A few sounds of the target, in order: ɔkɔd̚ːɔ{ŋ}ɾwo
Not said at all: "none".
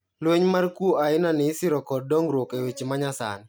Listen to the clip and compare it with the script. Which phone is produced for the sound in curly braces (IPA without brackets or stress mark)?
ŋ